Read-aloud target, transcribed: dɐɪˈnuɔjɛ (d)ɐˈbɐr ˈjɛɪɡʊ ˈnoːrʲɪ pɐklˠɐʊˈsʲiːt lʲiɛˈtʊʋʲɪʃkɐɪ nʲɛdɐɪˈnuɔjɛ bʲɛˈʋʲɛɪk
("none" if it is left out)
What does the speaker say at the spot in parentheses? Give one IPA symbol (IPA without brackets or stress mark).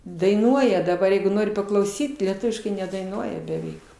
d